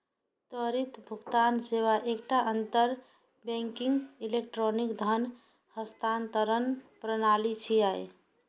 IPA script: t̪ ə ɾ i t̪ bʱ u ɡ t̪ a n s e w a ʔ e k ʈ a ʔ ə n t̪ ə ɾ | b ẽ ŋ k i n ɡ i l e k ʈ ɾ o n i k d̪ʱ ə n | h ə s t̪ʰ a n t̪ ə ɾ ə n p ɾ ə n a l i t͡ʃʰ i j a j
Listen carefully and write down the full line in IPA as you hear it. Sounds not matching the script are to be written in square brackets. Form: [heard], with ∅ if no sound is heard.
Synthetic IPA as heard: t̪ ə ɾ i t̪ bʱ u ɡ t̪ a n s e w a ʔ e k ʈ a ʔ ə n t̪ ə ɾ | b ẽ ŋ k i [ŋ] ɡ i l e k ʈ ɾ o n i k d̪ʱ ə n | h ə s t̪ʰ a n t̪ ə ɾ ə n p ɾ ə n a l i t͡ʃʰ i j a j